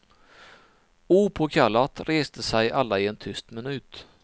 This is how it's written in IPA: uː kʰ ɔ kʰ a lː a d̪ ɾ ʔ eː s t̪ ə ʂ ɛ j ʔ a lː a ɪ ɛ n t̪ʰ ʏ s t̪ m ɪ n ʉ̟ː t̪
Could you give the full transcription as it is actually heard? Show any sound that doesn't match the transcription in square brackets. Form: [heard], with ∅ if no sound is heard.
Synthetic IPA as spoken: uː [pʰ] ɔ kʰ a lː a [t̪] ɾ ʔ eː s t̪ ə [s] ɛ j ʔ a lː a ɪ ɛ n t̪ʰ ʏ s t̪ m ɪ n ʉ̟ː t̪